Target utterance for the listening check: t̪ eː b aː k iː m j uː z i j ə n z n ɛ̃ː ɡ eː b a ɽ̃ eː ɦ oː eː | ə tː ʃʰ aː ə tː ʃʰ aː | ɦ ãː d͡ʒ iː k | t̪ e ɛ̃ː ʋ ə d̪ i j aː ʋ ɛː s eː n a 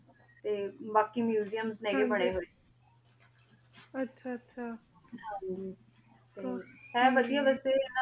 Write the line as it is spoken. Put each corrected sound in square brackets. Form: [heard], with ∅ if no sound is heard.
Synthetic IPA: t̪ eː b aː k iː m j uː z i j ə [m] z n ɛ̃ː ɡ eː b [ə] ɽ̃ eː ɦ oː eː | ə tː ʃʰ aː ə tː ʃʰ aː | ɦ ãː d͡ʒ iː [∅] | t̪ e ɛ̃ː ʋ ə d̪ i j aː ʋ ɛː s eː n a